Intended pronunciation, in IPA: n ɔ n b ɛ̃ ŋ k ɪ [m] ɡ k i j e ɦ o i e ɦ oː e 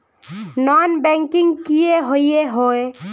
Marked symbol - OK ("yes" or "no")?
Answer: no